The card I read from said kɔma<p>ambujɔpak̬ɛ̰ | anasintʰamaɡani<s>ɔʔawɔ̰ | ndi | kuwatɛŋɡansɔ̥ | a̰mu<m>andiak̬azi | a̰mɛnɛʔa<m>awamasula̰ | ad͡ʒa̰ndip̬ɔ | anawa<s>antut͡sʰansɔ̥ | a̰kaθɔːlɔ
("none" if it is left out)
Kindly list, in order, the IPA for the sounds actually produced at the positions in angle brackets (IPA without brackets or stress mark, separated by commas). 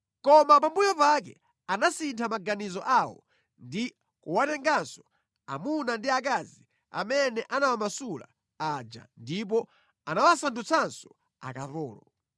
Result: p, z, n, n, s